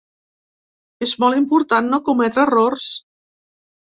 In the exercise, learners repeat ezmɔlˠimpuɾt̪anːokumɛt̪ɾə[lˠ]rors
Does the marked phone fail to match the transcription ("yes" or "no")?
yes